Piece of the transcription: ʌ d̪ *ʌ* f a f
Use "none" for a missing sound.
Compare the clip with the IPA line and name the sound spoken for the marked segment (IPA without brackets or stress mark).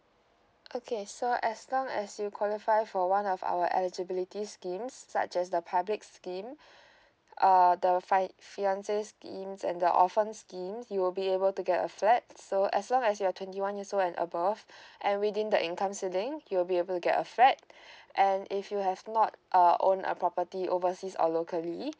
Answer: ə